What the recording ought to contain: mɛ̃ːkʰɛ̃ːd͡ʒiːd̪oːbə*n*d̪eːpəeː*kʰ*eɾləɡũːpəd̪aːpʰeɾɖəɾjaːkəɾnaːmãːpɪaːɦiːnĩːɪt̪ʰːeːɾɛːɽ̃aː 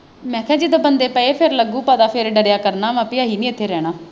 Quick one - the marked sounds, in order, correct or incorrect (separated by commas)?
correct, incorrect